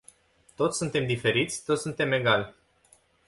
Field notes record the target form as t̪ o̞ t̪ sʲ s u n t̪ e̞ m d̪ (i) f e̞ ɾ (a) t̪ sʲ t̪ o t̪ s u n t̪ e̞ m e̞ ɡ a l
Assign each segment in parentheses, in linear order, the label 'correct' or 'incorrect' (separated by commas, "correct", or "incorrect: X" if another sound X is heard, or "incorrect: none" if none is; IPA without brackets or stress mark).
correct, incorrect: i